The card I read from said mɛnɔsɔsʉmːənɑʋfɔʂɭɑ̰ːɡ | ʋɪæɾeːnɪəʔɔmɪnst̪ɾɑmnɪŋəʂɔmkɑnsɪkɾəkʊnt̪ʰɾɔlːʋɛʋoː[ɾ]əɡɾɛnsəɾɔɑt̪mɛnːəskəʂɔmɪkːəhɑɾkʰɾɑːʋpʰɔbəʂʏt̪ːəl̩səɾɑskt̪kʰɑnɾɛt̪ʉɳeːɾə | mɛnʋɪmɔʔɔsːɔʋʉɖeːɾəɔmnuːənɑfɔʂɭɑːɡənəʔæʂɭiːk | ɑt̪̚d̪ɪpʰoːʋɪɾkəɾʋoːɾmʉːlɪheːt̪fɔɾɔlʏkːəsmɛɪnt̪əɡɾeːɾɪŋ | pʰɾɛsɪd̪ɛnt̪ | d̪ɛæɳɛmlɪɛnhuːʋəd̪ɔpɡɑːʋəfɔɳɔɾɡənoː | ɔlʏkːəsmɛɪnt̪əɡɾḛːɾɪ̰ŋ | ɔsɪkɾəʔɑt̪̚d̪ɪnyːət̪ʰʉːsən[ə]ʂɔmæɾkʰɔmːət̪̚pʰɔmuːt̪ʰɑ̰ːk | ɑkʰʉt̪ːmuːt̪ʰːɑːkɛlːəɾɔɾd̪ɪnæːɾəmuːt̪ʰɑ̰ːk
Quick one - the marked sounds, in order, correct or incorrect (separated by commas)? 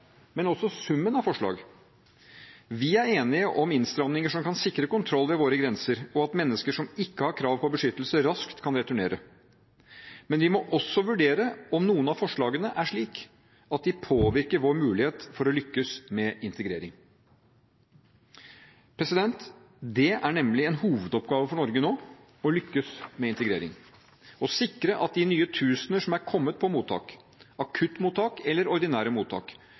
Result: correct, correct